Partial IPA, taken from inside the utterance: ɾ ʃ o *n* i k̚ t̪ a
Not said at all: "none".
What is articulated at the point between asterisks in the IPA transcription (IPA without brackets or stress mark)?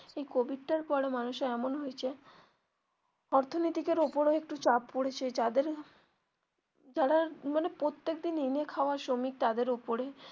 m